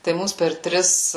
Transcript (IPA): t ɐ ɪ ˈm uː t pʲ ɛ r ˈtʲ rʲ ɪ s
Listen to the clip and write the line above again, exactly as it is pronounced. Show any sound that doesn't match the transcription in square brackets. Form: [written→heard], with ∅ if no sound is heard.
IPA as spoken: t ɐ ɪ ˈm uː [t→s] pʲ ɛ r ˈtʲ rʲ ɪ s